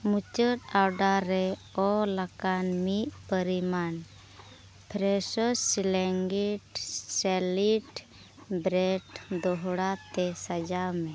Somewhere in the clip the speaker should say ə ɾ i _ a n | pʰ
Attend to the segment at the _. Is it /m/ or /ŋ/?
m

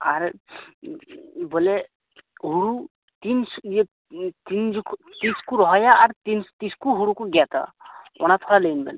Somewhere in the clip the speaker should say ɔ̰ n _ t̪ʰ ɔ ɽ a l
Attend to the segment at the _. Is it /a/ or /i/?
a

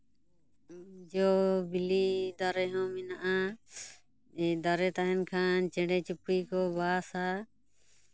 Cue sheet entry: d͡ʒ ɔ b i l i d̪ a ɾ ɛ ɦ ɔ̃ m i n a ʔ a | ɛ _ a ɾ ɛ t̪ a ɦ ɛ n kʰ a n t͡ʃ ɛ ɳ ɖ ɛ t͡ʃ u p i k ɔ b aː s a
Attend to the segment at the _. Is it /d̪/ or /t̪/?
d̪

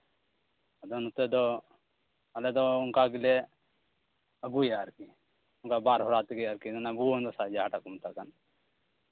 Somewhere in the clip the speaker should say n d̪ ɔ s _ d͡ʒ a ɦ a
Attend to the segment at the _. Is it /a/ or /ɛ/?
a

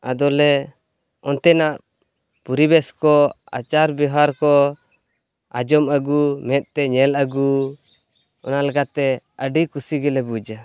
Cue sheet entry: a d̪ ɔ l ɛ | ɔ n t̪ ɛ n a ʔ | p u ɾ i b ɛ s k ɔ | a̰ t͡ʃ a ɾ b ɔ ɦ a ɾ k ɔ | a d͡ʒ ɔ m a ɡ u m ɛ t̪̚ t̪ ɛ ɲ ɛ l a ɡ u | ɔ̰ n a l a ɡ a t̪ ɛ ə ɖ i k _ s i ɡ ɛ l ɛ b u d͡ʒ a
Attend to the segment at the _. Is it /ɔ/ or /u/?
u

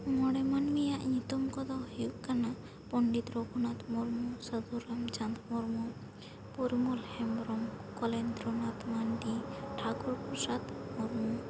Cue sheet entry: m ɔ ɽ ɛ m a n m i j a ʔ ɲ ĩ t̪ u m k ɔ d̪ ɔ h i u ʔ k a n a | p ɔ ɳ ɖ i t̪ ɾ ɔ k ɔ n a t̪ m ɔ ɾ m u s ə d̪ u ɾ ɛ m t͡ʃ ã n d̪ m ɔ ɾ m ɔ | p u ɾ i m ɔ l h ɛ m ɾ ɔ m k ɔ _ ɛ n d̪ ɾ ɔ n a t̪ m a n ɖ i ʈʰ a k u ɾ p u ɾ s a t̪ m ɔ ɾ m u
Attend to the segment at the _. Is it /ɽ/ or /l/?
l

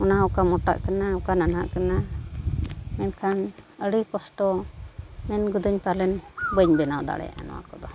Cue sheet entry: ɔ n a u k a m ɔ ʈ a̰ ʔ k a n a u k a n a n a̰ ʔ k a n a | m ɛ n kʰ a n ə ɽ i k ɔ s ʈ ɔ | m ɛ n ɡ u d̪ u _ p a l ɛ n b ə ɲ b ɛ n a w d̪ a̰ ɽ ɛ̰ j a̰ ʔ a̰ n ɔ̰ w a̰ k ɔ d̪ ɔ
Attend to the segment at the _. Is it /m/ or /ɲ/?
ɲ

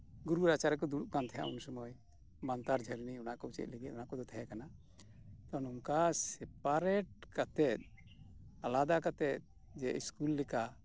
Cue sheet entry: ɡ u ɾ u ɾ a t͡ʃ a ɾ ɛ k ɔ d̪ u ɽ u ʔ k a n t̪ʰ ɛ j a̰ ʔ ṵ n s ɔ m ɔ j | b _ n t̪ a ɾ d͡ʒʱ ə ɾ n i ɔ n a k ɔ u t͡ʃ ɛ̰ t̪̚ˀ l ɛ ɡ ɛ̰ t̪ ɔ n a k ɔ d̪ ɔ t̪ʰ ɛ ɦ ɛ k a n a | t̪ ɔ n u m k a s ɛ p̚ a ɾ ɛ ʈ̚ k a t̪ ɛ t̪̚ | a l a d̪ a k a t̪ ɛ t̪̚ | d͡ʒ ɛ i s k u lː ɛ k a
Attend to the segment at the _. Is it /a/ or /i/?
a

